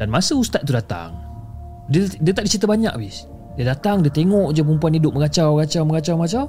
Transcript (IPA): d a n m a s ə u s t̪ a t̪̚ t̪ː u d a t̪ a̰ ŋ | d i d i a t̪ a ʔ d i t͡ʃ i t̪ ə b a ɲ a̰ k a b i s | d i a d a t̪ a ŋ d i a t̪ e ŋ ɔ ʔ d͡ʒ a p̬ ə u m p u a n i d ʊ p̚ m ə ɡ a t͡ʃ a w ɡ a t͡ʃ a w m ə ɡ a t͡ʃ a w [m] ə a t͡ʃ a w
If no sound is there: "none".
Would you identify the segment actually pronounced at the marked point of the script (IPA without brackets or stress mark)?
m